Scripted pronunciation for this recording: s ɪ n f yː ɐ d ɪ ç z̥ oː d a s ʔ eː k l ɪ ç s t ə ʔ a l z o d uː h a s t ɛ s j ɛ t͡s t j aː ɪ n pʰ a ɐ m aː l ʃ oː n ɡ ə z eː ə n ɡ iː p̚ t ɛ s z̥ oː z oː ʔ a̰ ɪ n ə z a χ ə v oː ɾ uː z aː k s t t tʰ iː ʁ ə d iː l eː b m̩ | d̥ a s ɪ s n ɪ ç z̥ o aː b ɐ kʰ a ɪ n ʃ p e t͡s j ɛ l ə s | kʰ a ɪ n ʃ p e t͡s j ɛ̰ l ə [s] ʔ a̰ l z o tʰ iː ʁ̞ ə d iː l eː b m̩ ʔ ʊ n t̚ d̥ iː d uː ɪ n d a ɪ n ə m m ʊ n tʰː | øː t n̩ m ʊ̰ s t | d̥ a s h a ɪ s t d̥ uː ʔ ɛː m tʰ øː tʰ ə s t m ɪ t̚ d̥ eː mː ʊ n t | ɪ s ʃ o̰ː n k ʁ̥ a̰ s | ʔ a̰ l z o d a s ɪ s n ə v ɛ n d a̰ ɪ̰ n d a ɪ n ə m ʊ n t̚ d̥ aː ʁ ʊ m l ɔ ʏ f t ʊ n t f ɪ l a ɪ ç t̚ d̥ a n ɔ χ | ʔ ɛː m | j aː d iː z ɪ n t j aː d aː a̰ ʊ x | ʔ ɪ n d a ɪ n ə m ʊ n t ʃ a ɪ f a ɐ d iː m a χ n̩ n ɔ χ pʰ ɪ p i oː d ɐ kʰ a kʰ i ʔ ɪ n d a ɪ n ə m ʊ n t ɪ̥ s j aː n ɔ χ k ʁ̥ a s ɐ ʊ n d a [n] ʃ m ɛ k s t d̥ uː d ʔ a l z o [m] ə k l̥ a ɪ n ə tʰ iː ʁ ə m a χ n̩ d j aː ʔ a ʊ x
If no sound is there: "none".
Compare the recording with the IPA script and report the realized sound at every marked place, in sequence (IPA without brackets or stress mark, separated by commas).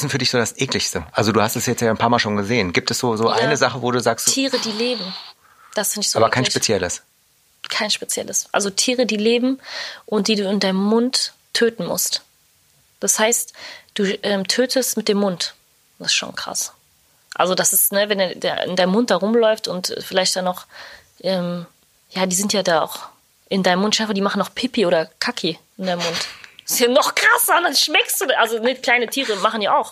s, n, n